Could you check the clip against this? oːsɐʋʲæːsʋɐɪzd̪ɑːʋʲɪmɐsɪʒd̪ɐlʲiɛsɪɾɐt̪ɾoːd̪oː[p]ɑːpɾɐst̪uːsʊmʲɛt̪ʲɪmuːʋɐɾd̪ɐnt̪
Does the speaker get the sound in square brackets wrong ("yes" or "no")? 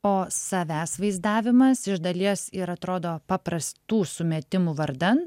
no